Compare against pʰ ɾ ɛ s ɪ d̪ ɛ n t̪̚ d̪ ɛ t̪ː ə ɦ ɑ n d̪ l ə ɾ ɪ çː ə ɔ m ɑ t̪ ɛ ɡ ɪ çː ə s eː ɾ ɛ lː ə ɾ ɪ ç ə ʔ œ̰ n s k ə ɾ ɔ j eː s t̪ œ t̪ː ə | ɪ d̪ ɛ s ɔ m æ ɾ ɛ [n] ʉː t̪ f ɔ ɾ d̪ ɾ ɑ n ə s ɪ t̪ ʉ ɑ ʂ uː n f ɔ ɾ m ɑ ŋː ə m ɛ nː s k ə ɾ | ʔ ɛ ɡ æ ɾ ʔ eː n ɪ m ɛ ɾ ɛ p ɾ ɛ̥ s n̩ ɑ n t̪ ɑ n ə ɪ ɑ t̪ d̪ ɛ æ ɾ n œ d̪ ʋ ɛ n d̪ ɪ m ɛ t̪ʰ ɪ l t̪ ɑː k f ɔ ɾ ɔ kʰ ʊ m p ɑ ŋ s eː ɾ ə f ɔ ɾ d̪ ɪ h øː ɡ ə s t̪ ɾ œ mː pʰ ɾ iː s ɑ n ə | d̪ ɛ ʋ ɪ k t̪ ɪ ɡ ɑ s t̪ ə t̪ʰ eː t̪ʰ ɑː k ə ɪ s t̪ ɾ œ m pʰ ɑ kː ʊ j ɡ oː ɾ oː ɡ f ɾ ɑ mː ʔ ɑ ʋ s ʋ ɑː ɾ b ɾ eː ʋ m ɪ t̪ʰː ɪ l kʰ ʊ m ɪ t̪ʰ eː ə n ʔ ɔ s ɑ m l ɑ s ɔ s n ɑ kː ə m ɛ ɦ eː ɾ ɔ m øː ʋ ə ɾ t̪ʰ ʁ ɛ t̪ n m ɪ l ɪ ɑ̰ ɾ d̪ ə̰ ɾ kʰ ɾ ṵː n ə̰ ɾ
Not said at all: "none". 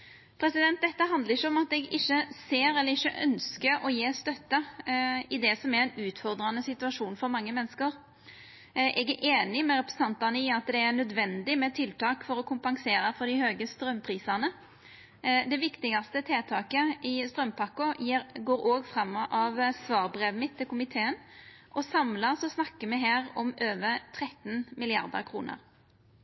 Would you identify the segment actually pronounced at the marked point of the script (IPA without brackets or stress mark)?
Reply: n